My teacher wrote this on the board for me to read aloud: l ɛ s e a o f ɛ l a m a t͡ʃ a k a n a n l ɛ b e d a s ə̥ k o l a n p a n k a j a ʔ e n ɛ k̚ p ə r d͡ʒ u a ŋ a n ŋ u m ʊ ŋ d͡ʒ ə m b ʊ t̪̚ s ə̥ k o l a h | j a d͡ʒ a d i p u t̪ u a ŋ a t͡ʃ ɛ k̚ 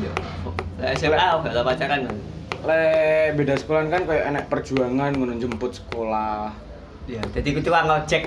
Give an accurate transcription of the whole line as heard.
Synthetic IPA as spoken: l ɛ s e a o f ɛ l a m a t͡ʃ a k a n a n l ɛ b e d a s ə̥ k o l a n k a n k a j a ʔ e n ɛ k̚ p ə r d͡ʒ u a ŋ a n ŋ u n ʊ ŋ d͡ʒ ə m p ʊ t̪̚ s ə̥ k o l a h | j a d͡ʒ a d i k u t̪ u a ŋ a t͡ʃ ɛ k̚